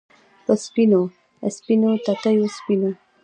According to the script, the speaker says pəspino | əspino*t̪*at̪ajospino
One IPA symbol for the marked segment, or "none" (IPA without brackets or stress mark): t̪